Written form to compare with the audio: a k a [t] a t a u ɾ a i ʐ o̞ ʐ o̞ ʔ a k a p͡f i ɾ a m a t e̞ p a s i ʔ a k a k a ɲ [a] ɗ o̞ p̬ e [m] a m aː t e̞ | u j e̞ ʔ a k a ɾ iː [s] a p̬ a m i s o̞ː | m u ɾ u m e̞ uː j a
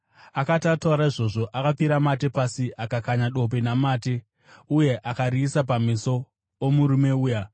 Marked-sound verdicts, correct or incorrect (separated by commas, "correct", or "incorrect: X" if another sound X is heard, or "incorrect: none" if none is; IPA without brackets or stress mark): correct, correct, incorrect: n, correct